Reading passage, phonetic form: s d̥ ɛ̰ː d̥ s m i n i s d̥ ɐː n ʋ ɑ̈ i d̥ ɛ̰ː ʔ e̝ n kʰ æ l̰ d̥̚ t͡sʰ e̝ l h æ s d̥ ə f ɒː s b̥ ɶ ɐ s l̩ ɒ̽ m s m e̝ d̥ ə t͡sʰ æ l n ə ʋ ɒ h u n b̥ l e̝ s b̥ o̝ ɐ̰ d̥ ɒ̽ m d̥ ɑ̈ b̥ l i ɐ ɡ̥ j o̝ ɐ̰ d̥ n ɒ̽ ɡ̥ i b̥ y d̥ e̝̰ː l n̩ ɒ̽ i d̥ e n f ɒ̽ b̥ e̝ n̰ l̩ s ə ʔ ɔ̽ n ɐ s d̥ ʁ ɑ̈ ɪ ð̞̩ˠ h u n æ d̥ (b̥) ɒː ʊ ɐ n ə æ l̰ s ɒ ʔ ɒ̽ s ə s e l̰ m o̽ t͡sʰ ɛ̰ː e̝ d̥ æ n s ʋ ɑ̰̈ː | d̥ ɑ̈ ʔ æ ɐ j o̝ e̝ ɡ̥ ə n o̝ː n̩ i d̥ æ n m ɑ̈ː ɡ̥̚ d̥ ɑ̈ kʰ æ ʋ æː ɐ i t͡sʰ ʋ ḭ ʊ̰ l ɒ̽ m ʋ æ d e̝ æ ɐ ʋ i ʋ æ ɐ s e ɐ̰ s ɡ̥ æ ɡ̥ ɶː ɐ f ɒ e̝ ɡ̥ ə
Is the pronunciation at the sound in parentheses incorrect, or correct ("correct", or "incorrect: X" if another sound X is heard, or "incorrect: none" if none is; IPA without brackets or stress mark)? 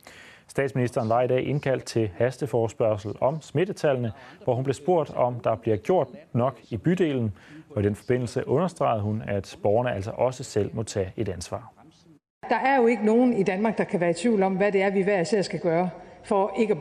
correct